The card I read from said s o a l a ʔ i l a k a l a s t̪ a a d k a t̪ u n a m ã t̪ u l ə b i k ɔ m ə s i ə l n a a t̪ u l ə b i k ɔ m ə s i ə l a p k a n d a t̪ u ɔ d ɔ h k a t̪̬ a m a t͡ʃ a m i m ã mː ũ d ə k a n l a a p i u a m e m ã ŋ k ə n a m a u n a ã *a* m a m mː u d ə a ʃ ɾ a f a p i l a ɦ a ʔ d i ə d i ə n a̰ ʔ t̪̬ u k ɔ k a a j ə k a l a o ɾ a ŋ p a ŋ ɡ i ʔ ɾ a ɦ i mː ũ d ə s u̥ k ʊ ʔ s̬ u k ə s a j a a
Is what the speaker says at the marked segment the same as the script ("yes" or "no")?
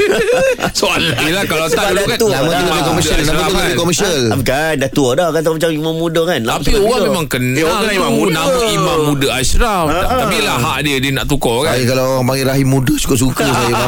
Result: no